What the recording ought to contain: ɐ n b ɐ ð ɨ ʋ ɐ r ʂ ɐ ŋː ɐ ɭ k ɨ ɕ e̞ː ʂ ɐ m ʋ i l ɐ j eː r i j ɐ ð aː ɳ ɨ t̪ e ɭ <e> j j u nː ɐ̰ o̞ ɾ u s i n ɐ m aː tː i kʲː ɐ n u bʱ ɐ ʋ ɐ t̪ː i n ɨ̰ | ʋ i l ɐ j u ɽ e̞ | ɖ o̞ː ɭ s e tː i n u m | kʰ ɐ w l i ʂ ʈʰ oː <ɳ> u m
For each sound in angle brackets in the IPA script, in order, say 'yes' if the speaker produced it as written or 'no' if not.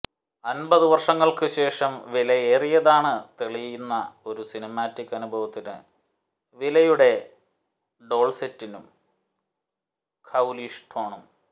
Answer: no, yes

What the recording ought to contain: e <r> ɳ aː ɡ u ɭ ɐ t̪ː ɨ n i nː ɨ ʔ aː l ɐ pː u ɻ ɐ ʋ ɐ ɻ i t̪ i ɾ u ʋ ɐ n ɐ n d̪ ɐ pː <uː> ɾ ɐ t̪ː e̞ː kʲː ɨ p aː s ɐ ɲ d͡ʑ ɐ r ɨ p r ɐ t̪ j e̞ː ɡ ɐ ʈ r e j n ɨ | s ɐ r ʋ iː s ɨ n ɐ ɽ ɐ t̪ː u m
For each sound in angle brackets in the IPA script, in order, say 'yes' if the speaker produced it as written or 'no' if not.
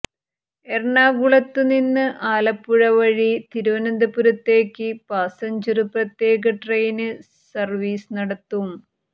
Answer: yes, no

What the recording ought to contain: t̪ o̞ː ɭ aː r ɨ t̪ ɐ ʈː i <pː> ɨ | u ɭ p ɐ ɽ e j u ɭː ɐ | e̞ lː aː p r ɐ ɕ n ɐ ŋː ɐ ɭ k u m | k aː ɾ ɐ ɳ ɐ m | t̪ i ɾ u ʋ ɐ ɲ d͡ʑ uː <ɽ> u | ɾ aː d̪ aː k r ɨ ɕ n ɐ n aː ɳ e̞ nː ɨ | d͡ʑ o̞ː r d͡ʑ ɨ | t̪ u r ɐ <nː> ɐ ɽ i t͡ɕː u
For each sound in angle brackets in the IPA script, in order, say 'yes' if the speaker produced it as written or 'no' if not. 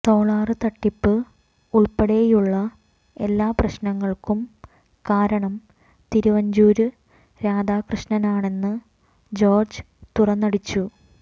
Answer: yes, no, yes

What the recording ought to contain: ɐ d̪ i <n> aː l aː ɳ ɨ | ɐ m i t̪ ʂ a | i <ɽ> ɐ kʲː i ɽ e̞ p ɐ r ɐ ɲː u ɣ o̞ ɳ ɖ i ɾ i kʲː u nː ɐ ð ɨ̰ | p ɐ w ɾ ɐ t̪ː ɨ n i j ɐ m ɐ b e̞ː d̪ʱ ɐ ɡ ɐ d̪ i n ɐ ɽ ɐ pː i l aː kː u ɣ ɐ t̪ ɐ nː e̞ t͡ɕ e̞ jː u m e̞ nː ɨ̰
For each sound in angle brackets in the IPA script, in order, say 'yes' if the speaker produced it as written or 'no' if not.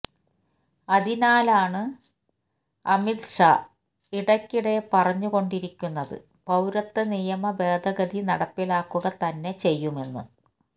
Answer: yes, yes

